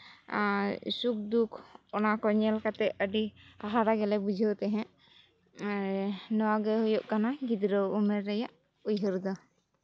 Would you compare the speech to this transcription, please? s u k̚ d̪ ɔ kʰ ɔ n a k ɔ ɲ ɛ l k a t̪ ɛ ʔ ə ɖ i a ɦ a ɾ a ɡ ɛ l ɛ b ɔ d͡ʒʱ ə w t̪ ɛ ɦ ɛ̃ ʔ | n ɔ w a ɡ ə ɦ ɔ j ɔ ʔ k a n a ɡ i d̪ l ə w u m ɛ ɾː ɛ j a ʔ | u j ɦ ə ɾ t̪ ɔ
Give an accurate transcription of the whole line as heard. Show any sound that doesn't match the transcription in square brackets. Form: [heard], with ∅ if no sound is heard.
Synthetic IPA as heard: s u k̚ d̪ [u] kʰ ɔ n a k ɔ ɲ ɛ l k a t̪ ɛ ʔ ə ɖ i a ɦ a ɾ a ɡ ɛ l ɛ b [u] d͡ʒʱ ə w t̪ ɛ ɦ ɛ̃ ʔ | n ɔ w a ɡ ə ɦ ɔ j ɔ ʔ k a n a ɡ i d̪ [ɾ] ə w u m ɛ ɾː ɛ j a ʔ | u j ɦ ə ɾ [d̪] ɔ